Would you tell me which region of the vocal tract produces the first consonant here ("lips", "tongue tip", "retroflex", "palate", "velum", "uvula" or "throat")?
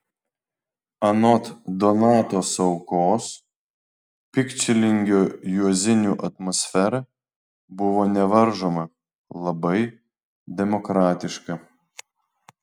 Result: tongue tip